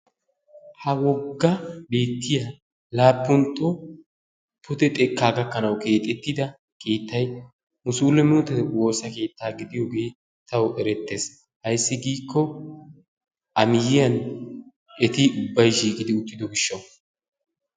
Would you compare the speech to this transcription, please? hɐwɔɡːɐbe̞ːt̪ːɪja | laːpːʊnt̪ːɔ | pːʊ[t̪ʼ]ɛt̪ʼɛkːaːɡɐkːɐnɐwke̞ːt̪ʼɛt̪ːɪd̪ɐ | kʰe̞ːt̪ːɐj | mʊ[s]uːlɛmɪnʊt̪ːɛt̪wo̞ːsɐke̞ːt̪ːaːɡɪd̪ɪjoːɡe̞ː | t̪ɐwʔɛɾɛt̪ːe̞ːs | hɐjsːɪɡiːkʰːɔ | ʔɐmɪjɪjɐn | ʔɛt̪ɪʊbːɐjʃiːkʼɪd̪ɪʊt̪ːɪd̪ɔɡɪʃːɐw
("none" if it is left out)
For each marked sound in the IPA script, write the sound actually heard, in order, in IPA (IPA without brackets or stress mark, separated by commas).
t̪, s